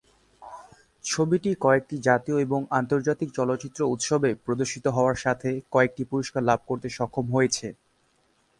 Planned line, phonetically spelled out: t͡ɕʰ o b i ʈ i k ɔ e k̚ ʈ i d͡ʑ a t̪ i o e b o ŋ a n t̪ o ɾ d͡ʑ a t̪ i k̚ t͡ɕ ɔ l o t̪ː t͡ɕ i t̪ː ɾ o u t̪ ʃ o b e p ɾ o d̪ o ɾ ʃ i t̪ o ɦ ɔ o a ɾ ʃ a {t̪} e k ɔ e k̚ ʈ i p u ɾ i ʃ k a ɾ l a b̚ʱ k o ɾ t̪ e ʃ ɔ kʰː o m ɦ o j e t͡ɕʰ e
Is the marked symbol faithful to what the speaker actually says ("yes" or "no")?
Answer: no